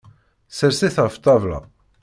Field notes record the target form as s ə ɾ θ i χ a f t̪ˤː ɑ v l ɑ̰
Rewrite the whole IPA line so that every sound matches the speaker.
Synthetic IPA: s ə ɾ s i θ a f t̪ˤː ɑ v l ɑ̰